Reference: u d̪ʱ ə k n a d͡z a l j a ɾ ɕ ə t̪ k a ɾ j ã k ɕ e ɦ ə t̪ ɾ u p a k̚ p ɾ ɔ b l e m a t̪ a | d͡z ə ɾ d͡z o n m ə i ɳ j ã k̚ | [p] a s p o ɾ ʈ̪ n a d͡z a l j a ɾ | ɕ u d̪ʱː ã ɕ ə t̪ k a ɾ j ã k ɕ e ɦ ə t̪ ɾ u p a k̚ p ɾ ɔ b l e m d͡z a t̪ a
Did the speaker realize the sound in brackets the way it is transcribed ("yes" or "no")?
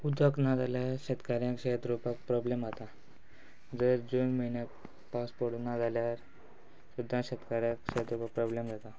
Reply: yes